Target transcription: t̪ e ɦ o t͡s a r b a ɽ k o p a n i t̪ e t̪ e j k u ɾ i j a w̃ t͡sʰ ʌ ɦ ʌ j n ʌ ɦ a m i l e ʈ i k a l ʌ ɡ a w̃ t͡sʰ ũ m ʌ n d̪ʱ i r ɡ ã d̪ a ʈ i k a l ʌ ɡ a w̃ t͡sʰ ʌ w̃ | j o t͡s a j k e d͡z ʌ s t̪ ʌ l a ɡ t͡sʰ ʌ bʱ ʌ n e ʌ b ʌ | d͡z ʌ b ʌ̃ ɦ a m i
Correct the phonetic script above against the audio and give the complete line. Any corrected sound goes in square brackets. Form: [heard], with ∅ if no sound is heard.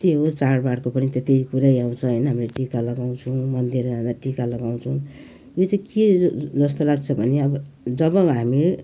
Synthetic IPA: t̪ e ɦ o t͡s a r b a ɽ k o p [ʌ] n i t̪ e t̪ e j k u ɾ [a] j a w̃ t͡sʰ ʌ ɦ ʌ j n ʌ ɦ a m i l e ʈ i k a l ʌ ɡ a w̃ t͡sʰ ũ m ʌ n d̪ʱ i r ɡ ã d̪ a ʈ i k a l ʌ ɡ a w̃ t͡sʰ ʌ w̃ | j o t͡s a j k e d͡z ʌ s t̪ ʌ l a ɡ t͡sʰ ʌ bʱ ʌ n e ʌ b ʌ | d͡z ʌ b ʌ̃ ɦ a m i